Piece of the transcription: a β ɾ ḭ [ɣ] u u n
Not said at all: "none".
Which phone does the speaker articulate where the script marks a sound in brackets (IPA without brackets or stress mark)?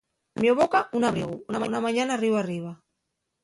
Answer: ɣ